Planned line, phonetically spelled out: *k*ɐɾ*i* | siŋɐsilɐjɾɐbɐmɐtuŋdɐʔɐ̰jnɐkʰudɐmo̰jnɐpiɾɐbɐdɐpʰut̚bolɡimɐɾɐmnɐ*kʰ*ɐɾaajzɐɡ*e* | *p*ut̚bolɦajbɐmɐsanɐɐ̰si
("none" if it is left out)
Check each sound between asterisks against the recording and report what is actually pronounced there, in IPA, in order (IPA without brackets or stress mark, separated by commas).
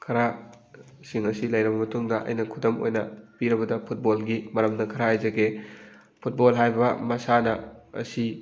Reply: kʰ, a, kʰ, e, pʰ